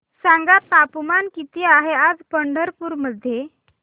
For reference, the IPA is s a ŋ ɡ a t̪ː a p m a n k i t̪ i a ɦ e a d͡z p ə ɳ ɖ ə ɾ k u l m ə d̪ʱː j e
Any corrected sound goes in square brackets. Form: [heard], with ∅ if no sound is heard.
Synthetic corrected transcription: s a ŋ ɡ a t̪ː a p m a n k i t̪ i a ɦ e a d͡z p ə ɳ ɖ ə ɾ [p] u [ɾ] m ə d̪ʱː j e